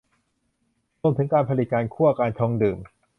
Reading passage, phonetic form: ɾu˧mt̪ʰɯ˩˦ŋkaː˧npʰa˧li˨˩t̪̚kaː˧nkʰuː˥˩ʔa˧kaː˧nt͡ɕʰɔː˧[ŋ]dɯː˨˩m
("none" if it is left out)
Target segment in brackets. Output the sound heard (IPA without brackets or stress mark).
ŋ